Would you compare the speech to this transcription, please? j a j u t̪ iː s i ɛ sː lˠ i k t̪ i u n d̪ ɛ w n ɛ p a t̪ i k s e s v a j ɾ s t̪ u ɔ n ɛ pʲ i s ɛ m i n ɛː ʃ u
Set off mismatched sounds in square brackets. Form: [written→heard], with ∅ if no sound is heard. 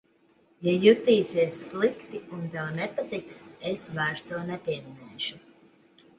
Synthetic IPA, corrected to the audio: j a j u t̪ iː s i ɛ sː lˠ i k t̪ i u n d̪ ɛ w n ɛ p a t̪ i k s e s v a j ɾ s t̪ u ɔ n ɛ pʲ i [s→∅] ɛ m i n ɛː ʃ u

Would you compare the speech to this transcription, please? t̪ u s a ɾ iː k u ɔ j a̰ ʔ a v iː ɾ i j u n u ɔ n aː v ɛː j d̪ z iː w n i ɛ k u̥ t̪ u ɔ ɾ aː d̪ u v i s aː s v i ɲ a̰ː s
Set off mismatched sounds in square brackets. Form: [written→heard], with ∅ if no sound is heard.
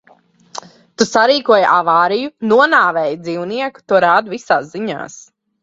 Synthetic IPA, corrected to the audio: t̪ u s a ɾ iː k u ɔ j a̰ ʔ a v [iː→aː] ɾ i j u n u ɔ n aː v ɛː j d̪ z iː w n i ɛ k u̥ t̪ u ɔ ɾ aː d̪ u v i s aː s [v→z] i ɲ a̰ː s

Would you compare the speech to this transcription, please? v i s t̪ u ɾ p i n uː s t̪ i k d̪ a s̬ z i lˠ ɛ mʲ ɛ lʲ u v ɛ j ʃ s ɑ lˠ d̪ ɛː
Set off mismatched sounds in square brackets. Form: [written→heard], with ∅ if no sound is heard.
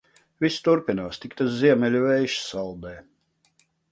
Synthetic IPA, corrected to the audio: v i s t̪ u ɾ p i n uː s t̪ i k [d̪→t̪] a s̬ z i [lˠ→∅] ɛ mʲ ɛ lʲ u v ɛ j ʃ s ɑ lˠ d̪ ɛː

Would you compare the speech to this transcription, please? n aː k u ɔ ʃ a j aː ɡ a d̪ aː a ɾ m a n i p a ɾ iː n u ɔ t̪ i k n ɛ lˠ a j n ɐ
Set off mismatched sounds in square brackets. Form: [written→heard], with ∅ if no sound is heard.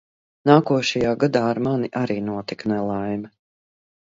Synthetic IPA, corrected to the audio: n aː k u ɔ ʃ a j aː ɡ a d̪ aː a ɾ m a n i [p→ʔ] a ɾ iː n u ɔ t̪ i k n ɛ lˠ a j [n→m] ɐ

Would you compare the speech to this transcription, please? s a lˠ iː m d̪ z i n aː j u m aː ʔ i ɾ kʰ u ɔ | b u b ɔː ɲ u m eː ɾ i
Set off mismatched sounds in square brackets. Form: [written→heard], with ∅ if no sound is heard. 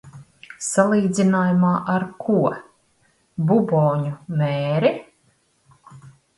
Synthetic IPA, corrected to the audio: s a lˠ iː [m→∅] d̪ z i n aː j u m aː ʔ [i→a] ɾ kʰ u ɔ | b u b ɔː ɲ u m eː ɾ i

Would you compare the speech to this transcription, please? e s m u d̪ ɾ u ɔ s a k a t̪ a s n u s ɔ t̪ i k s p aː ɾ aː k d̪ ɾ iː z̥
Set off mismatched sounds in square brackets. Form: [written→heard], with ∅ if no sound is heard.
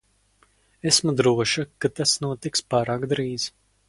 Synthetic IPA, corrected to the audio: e s m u d̪ ɾ u ɔ [s→ʃ] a k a t̪ a s n u [s→∅] ɔ t̪ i k s p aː ɾ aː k d̪ ɾ iː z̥

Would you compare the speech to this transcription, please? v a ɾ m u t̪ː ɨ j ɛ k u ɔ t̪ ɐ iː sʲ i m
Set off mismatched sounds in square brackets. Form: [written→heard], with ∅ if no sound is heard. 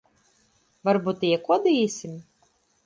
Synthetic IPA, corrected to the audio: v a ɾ [m→b] u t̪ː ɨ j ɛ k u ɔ [t̪→d̪] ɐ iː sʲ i m

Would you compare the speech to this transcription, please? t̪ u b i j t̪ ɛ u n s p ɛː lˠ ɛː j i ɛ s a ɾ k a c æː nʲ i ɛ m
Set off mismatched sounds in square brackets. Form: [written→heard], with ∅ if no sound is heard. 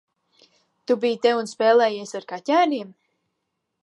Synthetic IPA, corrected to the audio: t̪ u b i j t̪ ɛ u n s p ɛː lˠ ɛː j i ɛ s a ɾ k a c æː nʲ i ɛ m

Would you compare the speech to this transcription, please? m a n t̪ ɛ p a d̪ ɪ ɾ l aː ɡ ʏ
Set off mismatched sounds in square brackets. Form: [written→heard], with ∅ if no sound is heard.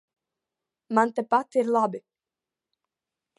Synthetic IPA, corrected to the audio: m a n t̪ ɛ p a [d̪→t̪] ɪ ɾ l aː [ɡ→b] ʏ

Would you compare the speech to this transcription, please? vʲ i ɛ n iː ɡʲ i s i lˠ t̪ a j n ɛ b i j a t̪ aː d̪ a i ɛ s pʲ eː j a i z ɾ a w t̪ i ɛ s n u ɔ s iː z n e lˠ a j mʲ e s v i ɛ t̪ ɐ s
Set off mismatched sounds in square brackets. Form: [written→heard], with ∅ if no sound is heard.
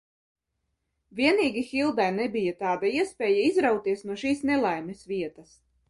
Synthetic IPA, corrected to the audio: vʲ i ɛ n iː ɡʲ i [s→x] i lˠ [t̪→d̪] a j n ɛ b i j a t̪ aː d̪ a i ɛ s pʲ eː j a i z ɾ a w t̪ i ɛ s n u ɔ [s→ʃ] iː [z→s] n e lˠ a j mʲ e s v i ɛ t̪ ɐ s

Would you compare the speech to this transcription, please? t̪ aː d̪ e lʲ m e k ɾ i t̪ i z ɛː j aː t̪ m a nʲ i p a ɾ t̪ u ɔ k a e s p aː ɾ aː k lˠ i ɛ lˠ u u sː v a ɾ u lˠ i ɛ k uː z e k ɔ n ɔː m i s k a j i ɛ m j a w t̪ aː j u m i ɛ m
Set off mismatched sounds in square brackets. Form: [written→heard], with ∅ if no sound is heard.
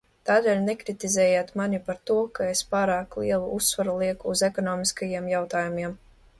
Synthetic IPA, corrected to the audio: t̪ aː d̪ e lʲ [m→n] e k ɾ i t̪ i z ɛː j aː t̪ m a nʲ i p a ɾ t̪ u ɔ k a e s p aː ɾ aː k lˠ i ɛ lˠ u u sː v a ɾ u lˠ i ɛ k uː z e k ɔ n ɔː m i s k a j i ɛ m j a w t̪ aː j u m i ɛ m

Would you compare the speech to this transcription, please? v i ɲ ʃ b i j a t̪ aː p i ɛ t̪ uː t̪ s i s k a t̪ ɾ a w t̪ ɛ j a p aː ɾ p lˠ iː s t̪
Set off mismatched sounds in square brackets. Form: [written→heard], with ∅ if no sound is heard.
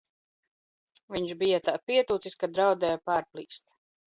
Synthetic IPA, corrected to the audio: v i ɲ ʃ b i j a t̪ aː p i ɛ t̪ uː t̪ s i s k a [t̪→d̪] ɾ a w [t̪→d̪] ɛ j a p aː ɾ p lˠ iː s t̪

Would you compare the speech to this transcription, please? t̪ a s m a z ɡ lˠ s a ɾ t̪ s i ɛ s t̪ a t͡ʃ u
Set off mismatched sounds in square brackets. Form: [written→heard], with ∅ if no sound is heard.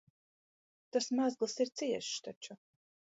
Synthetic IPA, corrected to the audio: t̪ a s m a z ɡ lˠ s [a→i] ɾ t̪ s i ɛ [s→ʃ] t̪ a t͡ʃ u

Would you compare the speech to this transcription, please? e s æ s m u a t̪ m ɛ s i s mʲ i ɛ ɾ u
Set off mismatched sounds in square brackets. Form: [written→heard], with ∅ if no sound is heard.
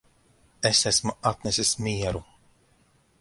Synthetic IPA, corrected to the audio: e s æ s m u a t̪ [m→n] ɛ s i s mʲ i ɛ ɾ u

